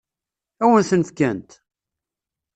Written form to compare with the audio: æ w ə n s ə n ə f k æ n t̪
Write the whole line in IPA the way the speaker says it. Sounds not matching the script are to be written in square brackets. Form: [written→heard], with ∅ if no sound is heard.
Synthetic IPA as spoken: æ w ə n [s→θ] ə n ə f k æ n t̪

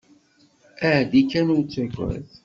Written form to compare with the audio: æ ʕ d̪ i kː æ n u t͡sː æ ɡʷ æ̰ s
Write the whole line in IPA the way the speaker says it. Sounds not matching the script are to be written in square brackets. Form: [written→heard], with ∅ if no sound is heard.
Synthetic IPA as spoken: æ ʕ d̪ i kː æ n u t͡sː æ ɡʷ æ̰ [s→θ]

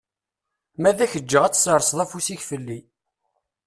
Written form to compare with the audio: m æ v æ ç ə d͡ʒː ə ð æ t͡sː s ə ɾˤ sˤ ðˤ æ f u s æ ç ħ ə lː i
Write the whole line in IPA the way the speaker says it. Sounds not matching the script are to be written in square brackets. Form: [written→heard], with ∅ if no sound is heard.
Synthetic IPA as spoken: m æ [v→ð] æ ç ə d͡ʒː ə [ð→ʁ] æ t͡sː s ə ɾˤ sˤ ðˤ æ f u s [æ→i] ç [ħ→f] ə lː i

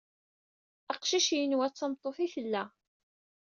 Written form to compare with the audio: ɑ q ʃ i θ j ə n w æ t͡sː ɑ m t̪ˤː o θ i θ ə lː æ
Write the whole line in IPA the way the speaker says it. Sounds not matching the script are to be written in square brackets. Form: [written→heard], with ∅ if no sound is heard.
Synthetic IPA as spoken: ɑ q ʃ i [θ→ʃ] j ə n w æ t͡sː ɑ m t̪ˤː o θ i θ ə lː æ

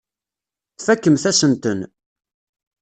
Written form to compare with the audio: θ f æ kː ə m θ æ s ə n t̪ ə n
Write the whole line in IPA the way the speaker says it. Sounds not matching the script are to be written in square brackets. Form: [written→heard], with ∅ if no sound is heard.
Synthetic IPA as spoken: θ f æ kː ə m θ æ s ə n t̪ ə n

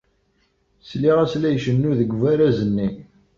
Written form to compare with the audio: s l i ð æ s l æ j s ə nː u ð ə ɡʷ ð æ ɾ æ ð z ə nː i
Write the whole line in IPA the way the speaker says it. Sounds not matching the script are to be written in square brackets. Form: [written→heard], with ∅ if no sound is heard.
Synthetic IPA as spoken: s l i [ð→ʁ] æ s l æ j [s→ʃ] ə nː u ð ə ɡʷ [ð→v] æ ɾ æ [ð→∅] z ə nː i

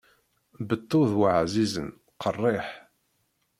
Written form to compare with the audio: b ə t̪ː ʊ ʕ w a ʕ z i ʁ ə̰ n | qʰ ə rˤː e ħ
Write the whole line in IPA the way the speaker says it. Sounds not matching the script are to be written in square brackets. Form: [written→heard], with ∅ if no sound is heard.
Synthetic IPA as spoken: b ə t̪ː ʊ [ʕ→ð] w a ʕ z i [ʁ→z] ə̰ n | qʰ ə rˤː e ħ

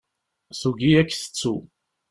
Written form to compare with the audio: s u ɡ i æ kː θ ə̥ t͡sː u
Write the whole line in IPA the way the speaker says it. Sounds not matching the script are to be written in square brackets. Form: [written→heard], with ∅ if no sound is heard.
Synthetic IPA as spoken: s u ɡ i æ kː θ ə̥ t͡sː u

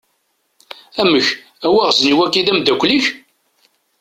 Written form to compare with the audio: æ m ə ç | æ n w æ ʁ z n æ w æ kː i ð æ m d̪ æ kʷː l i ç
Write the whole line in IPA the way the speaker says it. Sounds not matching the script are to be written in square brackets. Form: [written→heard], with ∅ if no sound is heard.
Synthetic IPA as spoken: æ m ə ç | æ [n→∅] w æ ʁ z n [æ→i] w æ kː i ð æ m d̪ æ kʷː l i ç

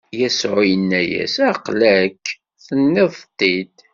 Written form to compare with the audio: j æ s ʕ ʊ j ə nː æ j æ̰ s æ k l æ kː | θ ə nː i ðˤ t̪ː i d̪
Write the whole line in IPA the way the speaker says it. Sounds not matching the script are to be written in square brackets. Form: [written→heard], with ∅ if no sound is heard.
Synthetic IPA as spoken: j æ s ʕ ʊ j ə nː æ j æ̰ s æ [k→q] l æ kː | θ ə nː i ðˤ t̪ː i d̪

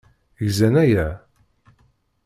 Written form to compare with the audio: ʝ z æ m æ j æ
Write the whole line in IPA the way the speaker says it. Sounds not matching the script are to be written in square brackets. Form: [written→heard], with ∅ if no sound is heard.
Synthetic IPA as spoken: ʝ z æ [m→n] æ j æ

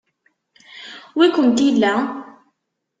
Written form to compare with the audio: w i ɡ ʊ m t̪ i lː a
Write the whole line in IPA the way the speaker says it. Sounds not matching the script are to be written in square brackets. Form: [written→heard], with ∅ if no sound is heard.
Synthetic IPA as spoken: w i [ɡ→k] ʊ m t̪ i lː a

